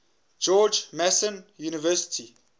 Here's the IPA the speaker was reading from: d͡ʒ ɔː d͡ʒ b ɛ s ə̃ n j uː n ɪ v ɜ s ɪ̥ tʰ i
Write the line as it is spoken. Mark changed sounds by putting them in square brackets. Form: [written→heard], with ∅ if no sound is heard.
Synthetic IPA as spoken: d͡ʒ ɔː d͡ʒ [b→m] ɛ s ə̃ n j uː n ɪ v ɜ s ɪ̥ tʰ i

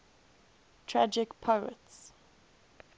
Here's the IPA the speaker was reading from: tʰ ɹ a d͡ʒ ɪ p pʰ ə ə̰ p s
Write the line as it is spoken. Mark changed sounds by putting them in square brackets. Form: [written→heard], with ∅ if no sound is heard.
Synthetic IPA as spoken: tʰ ɹ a d͡ʒ ɪ [p→k] pʰ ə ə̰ [p→t] s

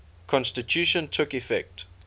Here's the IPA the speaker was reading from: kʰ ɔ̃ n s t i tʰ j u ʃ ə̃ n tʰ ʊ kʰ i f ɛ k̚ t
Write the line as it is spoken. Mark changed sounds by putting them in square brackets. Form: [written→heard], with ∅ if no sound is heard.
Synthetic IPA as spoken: kʰ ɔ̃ n s t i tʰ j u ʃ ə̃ n tʰ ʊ [kʰ→k] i f ɛ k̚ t

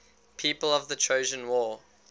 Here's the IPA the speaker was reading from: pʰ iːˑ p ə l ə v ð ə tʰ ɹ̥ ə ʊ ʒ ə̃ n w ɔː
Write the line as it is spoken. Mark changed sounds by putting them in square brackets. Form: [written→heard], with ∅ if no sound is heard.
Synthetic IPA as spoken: pʰ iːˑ p ə l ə v ð ə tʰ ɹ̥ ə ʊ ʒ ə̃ n w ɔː

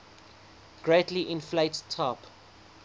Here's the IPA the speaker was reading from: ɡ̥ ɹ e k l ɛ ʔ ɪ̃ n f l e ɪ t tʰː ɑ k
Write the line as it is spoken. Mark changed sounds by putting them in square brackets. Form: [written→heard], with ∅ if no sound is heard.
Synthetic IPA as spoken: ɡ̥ ɹ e [k→t] l [ɛ→i] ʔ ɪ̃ n f l e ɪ t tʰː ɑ [k→p]

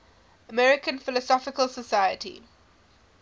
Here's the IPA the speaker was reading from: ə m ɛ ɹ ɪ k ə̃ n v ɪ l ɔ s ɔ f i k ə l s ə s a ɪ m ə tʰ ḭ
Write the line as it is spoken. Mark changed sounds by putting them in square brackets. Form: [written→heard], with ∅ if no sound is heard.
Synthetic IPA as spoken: ə m ɛ ɹ ɪ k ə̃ n [v→f] ɪ l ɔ s ɔ f [i→ɪ] k ə l s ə s a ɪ [m→∅] ə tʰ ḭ

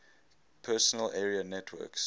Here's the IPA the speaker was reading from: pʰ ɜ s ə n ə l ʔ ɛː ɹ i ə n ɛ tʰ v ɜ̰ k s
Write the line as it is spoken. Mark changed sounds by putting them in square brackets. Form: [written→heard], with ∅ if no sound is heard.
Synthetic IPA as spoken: pʰ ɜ s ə n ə l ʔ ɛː ɹ i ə n ɛ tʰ [v→w] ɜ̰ k s

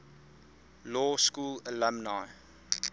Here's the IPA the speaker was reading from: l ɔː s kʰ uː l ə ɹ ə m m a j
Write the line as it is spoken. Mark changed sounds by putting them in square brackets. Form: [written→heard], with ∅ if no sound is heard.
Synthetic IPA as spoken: l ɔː s [kʰ→k] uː l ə [ɹ→l] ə m [m→n] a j

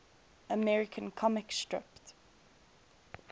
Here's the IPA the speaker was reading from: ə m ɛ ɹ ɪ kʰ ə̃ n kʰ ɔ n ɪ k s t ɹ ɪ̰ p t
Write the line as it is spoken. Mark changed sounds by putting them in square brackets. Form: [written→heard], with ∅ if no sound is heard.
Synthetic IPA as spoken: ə m ɛ ɹ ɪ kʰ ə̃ n kʰ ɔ [n→m] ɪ k s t ɹ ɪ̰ p t

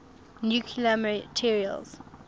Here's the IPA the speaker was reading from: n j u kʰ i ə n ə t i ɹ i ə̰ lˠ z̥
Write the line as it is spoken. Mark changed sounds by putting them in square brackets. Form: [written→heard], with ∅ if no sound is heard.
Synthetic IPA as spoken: n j u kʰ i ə [n→m] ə [t→tʰ] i ɹ i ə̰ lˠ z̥

